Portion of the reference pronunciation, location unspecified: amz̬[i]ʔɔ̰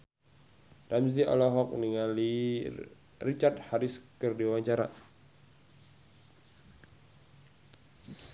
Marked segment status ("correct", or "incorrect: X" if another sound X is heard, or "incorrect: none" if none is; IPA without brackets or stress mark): correct